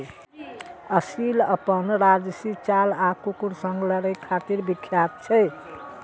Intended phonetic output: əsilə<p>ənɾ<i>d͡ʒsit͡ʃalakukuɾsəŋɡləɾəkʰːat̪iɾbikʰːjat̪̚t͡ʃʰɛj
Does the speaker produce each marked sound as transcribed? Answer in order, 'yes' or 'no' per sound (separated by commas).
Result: yes, no